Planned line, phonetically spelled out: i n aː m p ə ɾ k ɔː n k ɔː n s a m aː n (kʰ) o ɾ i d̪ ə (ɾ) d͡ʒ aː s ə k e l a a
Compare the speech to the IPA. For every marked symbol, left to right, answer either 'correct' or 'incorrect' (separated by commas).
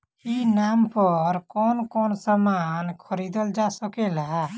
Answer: correct, incorrect